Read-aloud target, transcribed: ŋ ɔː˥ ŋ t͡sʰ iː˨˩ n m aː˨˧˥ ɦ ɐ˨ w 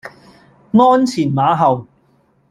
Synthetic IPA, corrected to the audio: ŋ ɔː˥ n t͡sʰ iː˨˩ n m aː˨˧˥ ɦ ɐ˨ w